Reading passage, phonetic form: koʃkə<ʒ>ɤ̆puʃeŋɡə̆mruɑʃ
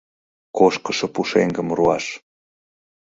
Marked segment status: incorrect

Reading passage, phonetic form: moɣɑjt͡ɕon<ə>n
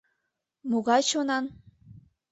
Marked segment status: incorrect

